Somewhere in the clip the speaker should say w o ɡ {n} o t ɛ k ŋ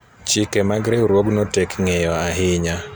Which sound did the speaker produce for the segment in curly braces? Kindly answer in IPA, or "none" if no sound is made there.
n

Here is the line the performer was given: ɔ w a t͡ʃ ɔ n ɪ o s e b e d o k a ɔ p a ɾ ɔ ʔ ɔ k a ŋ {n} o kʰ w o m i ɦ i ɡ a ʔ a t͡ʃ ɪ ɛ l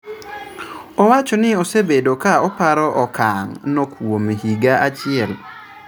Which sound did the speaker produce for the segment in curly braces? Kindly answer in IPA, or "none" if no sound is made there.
n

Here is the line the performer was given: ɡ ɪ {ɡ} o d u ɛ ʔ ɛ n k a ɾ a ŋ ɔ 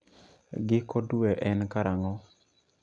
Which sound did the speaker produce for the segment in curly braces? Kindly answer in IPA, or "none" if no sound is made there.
k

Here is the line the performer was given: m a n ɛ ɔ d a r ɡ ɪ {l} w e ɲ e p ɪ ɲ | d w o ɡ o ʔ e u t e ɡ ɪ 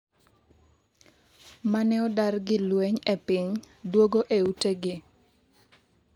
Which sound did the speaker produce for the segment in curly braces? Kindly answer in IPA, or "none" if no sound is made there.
l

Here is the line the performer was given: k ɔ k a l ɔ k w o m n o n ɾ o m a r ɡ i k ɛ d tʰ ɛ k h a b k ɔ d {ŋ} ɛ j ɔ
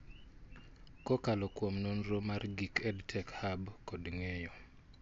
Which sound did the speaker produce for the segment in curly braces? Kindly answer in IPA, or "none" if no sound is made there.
ŋ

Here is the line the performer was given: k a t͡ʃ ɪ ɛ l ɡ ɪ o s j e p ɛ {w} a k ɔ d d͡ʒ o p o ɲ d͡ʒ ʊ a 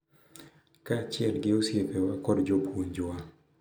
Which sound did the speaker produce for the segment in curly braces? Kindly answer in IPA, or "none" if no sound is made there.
w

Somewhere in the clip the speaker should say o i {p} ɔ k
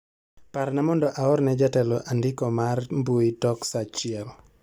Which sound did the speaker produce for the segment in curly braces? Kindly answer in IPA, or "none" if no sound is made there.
t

